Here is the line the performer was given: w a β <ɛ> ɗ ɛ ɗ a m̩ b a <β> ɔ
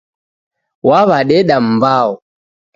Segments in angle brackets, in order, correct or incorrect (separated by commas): incorrect, incorrect